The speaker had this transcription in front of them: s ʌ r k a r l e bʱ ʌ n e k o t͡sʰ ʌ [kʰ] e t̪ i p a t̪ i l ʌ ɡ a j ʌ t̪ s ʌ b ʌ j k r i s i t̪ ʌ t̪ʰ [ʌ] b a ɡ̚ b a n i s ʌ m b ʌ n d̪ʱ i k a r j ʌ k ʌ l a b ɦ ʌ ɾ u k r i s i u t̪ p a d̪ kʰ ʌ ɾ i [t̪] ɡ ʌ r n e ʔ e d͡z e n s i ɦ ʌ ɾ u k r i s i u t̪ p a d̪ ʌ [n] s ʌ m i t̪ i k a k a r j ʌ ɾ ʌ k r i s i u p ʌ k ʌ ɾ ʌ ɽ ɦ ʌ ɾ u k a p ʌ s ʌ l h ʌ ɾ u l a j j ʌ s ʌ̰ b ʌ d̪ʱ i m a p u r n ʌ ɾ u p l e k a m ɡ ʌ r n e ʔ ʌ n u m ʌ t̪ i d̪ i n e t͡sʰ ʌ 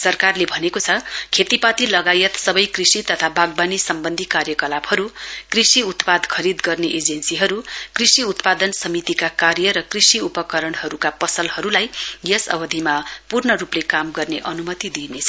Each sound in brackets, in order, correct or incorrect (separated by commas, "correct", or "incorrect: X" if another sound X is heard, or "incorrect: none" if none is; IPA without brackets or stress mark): correct, incorrect: a, incorrect: d̪, correct